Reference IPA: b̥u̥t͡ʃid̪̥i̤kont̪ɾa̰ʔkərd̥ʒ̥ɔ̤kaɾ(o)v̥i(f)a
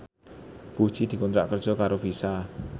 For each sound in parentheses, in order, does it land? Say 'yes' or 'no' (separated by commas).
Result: yes, no